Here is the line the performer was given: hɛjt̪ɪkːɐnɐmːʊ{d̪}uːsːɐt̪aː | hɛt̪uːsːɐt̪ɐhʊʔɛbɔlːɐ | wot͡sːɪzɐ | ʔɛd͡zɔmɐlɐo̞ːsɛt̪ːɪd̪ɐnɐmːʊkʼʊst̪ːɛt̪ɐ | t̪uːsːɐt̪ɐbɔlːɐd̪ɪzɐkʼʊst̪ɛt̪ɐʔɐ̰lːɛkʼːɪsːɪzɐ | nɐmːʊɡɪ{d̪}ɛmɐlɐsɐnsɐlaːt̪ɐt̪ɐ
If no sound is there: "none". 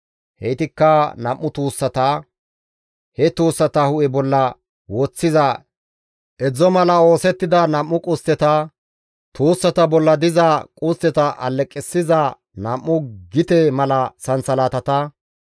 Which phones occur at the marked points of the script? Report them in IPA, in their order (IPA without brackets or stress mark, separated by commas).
t̪, t̪